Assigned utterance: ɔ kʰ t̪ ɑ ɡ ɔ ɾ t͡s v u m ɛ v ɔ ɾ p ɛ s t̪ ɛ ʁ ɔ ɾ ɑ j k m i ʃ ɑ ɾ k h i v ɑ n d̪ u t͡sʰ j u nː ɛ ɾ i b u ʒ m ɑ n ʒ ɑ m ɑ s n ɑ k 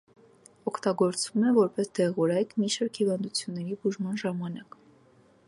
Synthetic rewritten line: ɔ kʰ t̪ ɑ ɡ ɔ ɾ t͡s v u m ɛ v ɔ ɾ p ɛ s d̪ ɛ ʁ ɔ ɾ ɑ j k m i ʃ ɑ ɾ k h i v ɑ n d̪ u t͡sʰ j u nː ɛ ɾ i b u ʒ m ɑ n ʒ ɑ m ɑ n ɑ k